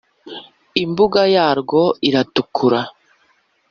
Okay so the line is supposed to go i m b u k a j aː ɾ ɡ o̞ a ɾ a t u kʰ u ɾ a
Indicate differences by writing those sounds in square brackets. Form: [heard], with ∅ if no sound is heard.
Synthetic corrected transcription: i m b u [ɡ] a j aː ɾ ɡ o̞ [i] ɾ a t u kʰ u ɾ a